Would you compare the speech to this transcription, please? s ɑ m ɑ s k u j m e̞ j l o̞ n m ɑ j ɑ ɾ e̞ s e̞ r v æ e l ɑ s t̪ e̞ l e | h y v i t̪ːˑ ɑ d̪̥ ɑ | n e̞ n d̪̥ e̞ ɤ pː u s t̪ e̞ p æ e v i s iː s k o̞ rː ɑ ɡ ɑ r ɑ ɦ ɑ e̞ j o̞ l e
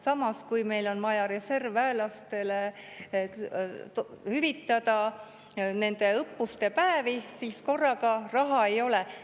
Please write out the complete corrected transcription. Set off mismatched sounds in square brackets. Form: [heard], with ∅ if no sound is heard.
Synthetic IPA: s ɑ m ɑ s k u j m e̞ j l o̞ n m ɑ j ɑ ɾ e̞ s e̞ r v æ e l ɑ s t̪ e̞ l e | h y v i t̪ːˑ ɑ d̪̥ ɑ | n e̞ n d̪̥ e̞ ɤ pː u s t̪ e̞ p æ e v i s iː s k o̞ rː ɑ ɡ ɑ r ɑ ɦ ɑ e̞ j o̞ l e